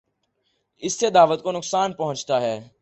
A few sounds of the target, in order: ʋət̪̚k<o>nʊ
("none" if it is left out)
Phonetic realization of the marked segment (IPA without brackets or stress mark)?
o